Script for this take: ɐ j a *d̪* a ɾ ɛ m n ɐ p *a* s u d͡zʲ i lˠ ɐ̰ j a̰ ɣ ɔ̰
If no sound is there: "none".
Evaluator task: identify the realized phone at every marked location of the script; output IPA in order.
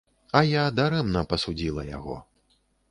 d̪, ɐ

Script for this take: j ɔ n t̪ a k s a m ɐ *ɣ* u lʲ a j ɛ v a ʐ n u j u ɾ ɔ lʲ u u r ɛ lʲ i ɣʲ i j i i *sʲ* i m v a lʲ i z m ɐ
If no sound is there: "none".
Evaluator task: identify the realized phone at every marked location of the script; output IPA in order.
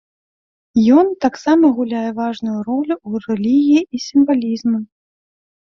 ɣ, sʲ

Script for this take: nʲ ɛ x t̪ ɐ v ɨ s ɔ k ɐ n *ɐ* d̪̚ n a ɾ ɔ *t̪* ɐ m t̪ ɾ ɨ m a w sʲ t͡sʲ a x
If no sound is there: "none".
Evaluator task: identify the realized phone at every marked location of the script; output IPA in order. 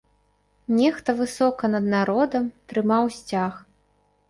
ɐ, d̪

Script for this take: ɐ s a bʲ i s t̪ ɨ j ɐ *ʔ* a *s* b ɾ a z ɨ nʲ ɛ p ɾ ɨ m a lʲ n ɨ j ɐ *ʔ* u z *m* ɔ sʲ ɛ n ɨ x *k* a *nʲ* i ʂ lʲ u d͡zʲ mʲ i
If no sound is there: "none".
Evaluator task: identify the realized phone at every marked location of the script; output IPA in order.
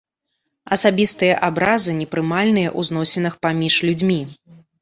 ʔ, none, ʔ, n, p, mʲ

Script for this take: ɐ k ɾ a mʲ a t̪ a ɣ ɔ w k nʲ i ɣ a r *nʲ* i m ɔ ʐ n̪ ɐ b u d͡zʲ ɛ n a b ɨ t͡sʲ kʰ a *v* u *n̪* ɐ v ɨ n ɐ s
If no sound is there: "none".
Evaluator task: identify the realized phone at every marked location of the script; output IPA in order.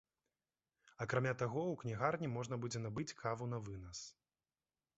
nʲ, v, n̪

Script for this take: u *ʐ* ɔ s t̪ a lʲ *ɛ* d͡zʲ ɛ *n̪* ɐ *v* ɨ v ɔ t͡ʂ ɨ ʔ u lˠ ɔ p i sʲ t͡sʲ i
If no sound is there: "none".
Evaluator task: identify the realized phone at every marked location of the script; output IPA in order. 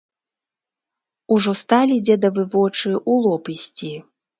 ʐ, i, d̪, v

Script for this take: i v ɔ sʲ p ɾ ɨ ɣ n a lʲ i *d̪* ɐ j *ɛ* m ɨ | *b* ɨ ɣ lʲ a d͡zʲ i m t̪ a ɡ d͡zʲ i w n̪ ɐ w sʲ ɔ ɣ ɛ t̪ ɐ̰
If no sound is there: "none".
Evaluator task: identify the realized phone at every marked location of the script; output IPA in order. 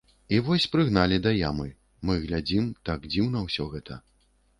d̪, a, m

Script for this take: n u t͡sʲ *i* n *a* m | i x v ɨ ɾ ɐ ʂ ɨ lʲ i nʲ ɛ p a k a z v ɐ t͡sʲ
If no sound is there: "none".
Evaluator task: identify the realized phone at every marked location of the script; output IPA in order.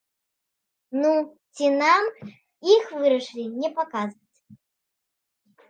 i, a

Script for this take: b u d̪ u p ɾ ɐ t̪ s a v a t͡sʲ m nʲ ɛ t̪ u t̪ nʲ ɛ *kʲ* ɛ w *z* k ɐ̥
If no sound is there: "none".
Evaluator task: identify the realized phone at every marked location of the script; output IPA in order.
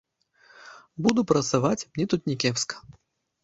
kʲ, s

